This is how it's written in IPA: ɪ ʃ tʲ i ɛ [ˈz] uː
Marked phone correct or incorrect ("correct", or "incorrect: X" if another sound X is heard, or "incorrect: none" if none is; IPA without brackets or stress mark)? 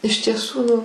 incorrect: s